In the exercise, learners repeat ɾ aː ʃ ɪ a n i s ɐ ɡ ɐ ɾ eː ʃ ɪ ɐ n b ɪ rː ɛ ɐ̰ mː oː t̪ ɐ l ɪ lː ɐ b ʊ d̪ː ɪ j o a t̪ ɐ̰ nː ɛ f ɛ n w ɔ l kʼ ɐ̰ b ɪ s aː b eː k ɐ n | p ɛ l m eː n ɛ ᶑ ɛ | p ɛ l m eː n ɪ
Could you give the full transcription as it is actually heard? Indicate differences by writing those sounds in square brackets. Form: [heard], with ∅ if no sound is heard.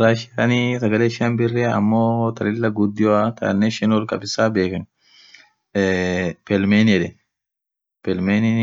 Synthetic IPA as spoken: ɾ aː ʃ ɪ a n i s ɐ ɡ ɐ [l] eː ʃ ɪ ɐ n b ɪ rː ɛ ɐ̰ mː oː t̪ ɐ l ɪ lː ɐ [ɡ] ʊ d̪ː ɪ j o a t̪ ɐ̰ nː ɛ [ʃ] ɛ n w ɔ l kʼ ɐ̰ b ɪ s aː b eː k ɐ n | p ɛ l m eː n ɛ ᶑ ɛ | p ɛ l m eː n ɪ